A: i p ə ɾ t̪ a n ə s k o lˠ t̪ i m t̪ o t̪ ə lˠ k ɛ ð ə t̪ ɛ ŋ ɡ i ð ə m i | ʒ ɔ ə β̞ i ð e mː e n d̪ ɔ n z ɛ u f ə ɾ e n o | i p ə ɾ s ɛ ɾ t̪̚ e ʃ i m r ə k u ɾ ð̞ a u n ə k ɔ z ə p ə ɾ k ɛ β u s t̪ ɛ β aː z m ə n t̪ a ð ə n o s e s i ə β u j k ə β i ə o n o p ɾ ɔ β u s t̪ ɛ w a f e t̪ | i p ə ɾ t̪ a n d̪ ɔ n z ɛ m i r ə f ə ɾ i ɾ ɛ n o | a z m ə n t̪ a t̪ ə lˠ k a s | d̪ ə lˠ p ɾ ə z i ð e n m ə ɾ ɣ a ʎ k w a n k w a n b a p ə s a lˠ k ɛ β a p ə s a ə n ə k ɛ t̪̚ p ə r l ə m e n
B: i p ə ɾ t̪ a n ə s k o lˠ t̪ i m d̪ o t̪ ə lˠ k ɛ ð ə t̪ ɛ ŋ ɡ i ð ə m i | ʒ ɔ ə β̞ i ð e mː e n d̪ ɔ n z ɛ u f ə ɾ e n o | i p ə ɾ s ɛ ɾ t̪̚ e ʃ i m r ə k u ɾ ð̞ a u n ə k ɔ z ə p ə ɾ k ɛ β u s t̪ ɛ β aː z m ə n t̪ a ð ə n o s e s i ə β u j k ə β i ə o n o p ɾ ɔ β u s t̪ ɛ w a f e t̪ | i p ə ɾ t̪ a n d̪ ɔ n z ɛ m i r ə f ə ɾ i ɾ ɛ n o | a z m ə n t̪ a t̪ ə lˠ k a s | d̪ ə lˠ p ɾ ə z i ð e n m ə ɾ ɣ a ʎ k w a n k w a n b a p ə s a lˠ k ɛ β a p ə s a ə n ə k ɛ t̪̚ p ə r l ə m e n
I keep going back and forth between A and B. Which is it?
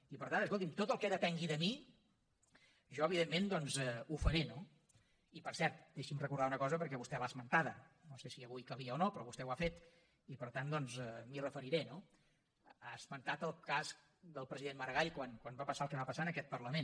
A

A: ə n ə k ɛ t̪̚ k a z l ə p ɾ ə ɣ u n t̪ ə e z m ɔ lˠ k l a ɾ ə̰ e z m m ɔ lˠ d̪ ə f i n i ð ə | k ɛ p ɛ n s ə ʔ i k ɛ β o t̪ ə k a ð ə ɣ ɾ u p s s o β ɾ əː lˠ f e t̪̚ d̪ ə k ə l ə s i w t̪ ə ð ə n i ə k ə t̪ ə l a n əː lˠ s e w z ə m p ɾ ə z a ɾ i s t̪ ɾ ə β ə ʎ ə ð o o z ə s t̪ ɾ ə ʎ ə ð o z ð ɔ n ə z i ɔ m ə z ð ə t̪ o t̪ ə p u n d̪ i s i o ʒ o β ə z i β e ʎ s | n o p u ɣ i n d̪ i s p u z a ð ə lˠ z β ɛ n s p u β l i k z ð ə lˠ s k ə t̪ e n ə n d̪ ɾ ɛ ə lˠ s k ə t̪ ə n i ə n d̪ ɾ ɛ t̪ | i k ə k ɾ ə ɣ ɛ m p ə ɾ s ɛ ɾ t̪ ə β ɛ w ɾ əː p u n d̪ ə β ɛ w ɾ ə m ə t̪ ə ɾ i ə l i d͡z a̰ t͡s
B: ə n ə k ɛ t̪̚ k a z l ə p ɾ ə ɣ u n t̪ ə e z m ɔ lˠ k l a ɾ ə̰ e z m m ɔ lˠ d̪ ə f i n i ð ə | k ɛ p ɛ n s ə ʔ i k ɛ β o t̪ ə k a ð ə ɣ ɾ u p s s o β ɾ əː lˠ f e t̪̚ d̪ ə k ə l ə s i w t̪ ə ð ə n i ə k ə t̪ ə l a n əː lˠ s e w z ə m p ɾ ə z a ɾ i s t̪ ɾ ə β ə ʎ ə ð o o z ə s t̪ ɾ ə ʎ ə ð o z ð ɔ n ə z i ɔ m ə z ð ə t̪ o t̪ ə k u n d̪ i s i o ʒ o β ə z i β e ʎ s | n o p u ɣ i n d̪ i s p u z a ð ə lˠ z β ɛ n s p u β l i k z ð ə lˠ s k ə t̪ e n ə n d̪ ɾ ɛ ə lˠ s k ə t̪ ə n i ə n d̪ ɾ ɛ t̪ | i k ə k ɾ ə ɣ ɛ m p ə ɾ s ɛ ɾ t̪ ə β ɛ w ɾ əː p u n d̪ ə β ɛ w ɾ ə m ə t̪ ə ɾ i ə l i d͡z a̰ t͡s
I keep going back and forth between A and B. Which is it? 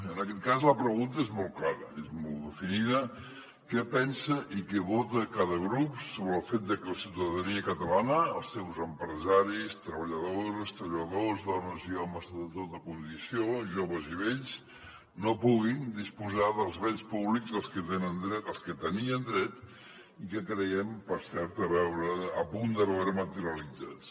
B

